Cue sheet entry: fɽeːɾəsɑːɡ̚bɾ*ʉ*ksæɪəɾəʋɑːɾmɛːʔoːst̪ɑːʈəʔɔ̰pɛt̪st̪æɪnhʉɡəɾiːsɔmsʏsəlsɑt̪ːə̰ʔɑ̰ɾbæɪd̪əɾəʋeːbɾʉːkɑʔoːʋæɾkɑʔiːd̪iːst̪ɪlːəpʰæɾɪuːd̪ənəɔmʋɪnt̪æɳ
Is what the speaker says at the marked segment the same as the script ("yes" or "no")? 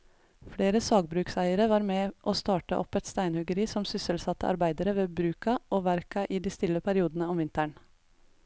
no